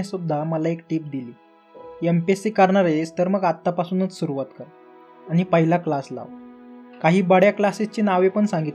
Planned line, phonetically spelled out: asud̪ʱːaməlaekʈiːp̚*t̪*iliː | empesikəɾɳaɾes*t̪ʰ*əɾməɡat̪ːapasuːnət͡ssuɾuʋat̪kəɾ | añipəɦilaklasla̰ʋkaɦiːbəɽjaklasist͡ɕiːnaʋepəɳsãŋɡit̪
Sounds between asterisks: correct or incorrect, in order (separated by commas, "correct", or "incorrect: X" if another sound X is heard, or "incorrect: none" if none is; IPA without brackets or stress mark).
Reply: incorrect: d̪, incorrect: t̪